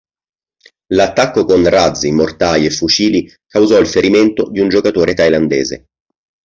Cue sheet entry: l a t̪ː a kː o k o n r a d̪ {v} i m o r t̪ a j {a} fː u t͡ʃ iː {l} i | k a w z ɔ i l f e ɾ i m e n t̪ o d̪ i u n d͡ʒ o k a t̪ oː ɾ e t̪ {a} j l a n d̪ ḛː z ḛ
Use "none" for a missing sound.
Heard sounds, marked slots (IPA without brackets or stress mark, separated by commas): z, e, l, a